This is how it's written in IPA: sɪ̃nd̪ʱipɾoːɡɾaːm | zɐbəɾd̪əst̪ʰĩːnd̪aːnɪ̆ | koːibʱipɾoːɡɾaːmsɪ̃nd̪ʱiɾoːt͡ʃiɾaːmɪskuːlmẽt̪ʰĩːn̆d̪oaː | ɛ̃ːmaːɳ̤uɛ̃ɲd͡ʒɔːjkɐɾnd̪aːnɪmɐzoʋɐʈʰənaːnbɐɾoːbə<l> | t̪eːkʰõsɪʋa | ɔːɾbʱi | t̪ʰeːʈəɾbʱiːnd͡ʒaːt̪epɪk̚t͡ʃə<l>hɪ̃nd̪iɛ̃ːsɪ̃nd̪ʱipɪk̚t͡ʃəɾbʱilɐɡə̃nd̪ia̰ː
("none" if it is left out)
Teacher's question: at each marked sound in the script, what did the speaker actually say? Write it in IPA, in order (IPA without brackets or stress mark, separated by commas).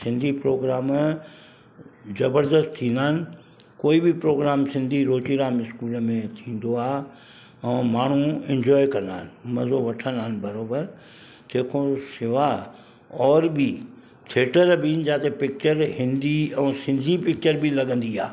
ɾ, ɾ